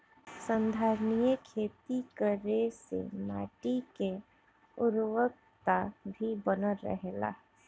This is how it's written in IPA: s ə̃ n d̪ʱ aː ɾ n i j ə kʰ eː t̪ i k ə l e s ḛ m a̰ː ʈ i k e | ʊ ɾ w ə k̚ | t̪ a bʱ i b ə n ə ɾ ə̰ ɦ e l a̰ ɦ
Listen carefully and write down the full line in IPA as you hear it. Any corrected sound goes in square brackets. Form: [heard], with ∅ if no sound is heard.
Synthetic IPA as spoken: s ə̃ n d̪ʱ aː ɾ n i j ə kʰ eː t̪ i k ə [ɾ] e s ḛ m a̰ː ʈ i k e | ʊ ɾ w ə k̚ | t̪ a bʱ i b ə n ə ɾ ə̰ ɦ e l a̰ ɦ